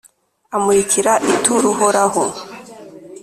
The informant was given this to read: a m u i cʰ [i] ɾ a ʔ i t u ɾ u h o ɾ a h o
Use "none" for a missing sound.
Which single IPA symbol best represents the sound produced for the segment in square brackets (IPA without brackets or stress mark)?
i